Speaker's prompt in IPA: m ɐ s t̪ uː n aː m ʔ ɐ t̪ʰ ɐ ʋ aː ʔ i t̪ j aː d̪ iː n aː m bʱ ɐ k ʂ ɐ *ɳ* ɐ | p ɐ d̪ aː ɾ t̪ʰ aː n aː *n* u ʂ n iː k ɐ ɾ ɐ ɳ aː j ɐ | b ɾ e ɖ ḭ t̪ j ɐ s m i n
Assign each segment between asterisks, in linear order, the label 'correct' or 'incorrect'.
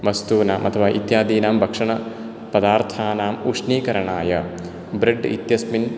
correct, incorrect

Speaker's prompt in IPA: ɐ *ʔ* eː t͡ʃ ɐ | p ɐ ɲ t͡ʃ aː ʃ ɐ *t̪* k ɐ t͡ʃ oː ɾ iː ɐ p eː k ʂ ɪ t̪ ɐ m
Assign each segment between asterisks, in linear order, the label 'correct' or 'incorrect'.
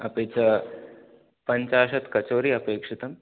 incorrect, correct

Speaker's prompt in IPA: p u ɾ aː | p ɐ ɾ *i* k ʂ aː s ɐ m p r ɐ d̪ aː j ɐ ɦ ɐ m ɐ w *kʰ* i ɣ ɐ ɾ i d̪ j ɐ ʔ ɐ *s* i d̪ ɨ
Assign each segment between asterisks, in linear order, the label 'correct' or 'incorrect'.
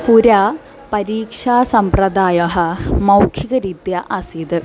incorrect, correct, correct

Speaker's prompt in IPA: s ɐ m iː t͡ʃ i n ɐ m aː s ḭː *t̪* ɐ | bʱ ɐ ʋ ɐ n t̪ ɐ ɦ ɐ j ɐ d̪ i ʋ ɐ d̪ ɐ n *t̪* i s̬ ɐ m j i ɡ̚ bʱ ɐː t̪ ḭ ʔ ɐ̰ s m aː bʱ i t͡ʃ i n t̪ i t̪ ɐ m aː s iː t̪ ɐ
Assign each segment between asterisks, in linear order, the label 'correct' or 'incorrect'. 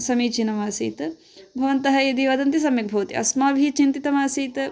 correct, correct

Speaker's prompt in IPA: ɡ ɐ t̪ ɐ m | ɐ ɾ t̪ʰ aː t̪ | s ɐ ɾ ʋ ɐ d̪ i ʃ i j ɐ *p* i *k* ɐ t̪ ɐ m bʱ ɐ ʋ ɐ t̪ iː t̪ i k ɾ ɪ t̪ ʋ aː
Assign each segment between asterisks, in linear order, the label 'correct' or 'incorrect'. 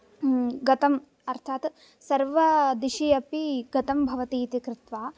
correct, incorrect

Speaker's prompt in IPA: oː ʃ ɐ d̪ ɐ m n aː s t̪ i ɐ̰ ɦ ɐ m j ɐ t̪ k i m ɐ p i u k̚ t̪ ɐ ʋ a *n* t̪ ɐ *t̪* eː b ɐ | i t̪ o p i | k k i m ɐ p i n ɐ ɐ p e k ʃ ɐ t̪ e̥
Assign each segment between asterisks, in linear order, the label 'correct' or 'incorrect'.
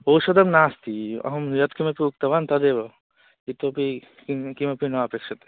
correct, incorrect

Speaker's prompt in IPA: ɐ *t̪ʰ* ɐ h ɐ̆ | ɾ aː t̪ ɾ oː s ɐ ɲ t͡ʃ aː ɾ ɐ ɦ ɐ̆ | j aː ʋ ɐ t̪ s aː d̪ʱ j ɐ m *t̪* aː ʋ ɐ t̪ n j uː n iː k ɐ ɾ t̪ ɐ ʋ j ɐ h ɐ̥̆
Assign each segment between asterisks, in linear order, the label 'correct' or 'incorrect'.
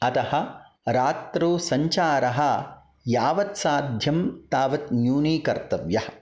incorrect, correct

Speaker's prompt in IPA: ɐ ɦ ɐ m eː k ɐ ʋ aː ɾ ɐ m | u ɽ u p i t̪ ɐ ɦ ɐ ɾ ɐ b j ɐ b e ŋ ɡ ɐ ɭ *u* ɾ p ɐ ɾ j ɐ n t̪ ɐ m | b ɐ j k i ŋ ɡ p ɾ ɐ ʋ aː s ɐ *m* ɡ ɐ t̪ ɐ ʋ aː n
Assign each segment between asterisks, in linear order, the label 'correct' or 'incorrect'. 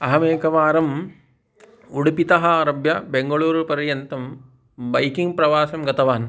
incorrect, correct

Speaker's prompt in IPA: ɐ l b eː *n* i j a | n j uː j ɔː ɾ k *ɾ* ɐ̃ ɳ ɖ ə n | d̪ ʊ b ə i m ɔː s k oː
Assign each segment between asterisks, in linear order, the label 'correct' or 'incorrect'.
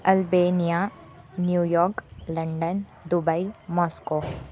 correct, incorrect

